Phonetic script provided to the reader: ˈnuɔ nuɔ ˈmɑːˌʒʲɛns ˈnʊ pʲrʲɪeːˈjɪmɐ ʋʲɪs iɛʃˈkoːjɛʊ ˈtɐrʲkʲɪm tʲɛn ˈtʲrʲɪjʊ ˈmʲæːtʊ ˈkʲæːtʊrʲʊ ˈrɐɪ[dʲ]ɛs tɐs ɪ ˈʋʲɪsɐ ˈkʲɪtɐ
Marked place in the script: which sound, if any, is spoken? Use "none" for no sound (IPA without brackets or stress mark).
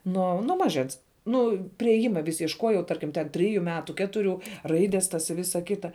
dʲ